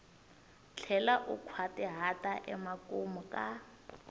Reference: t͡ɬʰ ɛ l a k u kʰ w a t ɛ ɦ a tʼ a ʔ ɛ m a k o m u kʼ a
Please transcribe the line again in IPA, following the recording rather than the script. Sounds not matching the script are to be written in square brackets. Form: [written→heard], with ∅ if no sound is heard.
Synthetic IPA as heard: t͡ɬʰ ɛ l a [k→ʔ] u kʰ w a t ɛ ɦ a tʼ a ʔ ɛ m a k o m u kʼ a